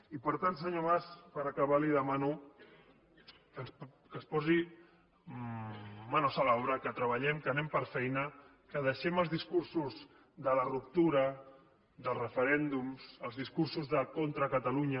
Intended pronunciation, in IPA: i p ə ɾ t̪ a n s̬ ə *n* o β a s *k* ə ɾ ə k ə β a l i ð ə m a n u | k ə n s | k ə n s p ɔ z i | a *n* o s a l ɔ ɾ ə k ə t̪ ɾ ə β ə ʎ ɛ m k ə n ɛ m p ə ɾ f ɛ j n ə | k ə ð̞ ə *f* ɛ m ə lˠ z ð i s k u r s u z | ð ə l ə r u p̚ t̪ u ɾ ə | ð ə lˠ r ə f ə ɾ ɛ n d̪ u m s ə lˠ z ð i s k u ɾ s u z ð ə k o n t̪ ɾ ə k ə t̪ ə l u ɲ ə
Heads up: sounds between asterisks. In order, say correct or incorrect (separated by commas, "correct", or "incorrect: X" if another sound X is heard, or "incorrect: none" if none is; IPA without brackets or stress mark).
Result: incorrect: ɲ, incorrect: p, correct, incorrect: ʃ